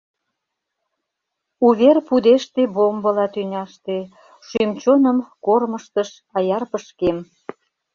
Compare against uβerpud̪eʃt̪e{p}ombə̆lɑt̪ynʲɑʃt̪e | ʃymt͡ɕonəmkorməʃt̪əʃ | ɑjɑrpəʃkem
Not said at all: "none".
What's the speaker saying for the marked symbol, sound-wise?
b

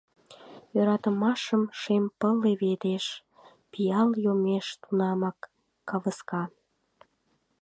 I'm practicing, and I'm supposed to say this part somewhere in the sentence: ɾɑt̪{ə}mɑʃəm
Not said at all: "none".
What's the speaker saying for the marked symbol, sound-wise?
ə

